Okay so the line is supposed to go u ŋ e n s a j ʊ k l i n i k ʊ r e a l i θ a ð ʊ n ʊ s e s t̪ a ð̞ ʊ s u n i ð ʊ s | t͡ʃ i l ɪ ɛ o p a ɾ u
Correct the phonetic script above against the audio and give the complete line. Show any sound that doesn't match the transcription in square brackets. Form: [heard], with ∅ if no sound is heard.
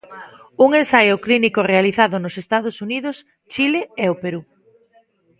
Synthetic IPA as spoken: u ŋ e n s a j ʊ k l i n i k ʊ r e a l i θ a ð ʊ n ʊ s e s t̪ a ð̞ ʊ s u n i ð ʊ s | t͡ʃ i l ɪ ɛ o p [e] ɾ u

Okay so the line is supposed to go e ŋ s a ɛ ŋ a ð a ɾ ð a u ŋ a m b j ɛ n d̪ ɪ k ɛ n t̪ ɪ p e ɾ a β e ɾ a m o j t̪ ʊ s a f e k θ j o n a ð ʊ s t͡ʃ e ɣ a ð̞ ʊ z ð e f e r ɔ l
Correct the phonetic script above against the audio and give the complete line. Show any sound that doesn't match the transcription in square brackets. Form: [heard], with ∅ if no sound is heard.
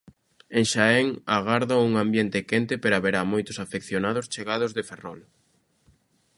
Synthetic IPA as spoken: e ŋ [ʃ] a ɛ ŋ a [ɣ] a ɾ ð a u ŋ a m b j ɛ n [t̪] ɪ k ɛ n t̪ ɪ p e ɾ a β e ɾ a m o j t̪ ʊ s a f e k θ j o n a ð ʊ s t͡ʃ e ɣ a ð̞ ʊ z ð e f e r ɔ l

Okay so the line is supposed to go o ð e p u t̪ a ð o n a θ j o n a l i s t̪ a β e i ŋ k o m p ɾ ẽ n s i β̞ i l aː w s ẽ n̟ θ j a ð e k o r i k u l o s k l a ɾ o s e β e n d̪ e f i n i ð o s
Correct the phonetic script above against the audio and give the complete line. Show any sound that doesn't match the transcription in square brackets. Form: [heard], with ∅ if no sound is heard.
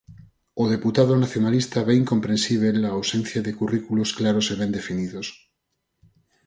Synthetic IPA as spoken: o ð e p u t̪ a ð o n a θ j o n a l i s t̪ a β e i ŋ k o m p ɾ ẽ n s i β̞ [e] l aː w s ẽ n̟ θ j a ð e k [u] r i k u l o s k l a ɾ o s e β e n d̪ e f i n i ð o s

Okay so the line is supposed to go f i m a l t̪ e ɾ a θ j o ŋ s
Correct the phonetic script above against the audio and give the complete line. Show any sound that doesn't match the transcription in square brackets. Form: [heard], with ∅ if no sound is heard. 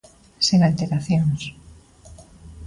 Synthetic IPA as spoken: [s] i [ŋ] a l t̪ e ɾ a θ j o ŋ s

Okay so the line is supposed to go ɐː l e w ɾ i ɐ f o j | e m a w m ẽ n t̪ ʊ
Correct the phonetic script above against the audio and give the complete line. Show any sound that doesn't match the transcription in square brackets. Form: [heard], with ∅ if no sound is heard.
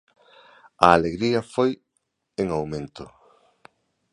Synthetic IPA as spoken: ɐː l e [ɣ] ɾ i ɐ f o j | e [ŋ] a w m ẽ n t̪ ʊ

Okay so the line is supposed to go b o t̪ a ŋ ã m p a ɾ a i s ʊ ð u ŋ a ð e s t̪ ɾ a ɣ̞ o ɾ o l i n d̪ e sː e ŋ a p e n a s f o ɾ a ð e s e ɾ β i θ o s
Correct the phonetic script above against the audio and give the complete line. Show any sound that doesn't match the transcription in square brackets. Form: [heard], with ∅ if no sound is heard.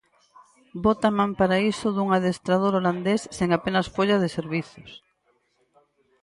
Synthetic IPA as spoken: b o t̪ a [m] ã m p a ɾ a i s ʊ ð u ŋ a ð e s t̪ ɾ a [ð̞] o ɾ o l [a] n d̪ e sː e ŋ a p e n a s f o [ʎ] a ð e s e ɾ β i θ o s

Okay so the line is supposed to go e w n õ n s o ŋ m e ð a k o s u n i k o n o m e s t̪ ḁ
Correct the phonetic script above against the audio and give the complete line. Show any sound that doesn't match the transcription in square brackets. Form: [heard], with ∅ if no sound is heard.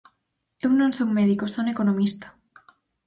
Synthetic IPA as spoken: e w n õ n s o ŋ m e ð [i] k o s [o] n [e] k o n o m [i] s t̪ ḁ

